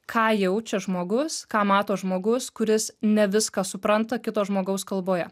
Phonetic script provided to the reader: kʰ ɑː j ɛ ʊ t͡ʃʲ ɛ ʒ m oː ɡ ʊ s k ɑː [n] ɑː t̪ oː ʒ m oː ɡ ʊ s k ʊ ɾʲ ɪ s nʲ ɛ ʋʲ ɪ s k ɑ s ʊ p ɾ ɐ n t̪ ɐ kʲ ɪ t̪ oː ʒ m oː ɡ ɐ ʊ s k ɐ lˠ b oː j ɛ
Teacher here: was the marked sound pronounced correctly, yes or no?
no